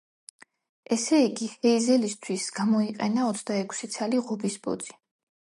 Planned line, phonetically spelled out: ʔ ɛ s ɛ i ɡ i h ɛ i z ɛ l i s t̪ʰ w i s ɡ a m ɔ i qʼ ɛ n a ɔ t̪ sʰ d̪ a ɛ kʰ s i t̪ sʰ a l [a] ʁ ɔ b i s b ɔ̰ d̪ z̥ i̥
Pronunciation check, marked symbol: incorrect: i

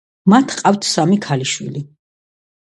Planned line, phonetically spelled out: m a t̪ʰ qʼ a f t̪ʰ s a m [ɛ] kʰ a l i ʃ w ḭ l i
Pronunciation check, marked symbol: incorrect: i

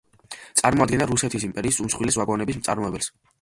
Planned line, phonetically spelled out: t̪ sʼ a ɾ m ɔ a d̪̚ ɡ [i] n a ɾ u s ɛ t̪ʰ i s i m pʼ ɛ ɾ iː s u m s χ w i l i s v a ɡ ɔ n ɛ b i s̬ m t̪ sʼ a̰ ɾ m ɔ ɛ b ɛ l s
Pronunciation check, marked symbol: incorrect: ɛ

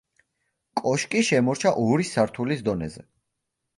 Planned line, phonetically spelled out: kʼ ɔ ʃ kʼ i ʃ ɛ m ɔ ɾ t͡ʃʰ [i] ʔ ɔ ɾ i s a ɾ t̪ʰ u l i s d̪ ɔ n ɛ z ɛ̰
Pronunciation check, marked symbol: incorrect: a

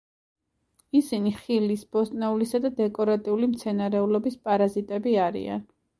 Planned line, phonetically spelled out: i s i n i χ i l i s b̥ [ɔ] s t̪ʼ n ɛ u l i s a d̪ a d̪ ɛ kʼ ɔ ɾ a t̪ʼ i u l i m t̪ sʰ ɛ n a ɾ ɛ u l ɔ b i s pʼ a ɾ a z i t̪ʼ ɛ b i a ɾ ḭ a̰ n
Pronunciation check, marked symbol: correct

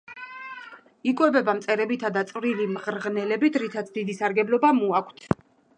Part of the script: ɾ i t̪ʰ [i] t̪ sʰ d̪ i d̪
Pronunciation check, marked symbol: incorrect: a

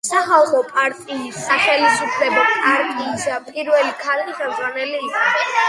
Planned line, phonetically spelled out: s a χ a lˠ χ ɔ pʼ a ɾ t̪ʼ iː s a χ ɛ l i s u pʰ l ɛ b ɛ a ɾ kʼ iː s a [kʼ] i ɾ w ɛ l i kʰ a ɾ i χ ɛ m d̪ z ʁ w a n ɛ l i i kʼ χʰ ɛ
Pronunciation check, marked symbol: incorrect: pʼ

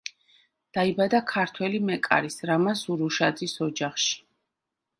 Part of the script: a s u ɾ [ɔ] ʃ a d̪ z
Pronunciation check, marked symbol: incorrect: u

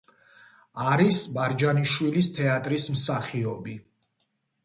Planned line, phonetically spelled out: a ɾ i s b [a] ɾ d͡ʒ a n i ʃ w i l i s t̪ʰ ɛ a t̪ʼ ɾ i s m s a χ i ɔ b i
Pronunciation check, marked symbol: correct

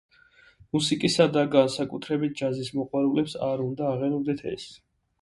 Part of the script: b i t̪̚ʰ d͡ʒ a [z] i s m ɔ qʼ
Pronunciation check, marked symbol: correct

